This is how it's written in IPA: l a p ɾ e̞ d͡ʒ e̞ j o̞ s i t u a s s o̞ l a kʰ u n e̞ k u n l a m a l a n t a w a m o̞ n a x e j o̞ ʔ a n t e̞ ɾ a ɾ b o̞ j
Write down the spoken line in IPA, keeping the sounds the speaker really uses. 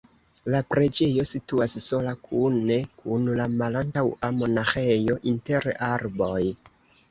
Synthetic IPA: l a p ɾ e̞ d͡ʒ e̞ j o̞ s i t u a s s o̞ l a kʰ u n e̞ k u n l a m a l a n t a w a m o̞ n a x e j o̞ ʔ i n t e̞ ɾ a ɾ b o̞ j